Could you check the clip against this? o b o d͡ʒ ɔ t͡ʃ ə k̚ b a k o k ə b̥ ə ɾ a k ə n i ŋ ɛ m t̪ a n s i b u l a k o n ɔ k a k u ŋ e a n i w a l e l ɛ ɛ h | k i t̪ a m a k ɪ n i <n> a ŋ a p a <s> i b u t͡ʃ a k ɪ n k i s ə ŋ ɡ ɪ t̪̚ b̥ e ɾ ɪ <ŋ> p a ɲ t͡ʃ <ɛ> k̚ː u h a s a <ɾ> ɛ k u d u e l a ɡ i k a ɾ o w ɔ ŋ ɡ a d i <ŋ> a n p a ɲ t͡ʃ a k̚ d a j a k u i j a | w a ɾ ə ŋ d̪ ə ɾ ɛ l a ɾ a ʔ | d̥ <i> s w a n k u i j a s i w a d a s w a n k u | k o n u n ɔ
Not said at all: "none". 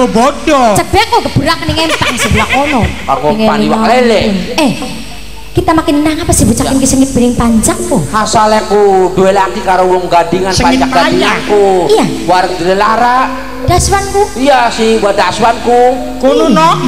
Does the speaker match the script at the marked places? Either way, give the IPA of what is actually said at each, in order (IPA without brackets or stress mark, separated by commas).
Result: n, s, ŋ, a, l, ŋ, a